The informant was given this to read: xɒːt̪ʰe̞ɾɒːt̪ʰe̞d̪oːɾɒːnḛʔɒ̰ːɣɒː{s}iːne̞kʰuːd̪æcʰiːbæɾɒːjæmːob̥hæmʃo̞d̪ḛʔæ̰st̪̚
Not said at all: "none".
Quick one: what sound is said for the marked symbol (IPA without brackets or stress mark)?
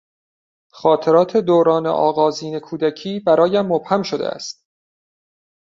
z